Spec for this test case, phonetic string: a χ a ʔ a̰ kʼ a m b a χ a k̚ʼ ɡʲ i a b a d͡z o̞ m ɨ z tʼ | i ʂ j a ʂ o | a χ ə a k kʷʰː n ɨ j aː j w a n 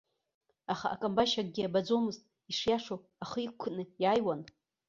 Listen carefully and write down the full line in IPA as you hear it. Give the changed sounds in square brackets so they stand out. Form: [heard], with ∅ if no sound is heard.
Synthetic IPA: a χ a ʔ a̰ kʼ a m b a [ʃ] a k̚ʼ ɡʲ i a b a d͡z o̞ m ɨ z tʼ | i ʂ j a ʂ o | a χ ə [i] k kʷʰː n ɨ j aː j w a n